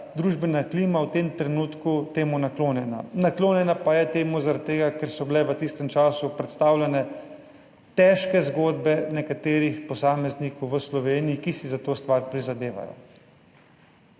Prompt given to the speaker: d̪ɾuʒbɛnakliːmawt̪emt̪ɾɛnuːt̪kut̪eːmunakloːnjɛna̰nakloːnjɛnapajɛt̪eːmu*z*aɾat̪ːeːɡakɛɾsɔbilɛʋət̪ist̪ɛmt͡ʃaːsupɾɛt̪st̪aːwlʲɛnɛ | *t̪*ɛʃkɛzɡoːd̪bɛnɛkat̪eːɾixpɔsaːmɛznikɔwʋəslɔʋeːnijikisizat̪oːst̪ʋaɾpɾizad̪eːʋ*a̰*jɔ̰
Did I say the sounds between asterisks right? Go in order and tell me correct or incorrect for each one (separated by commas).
correct, correct, correct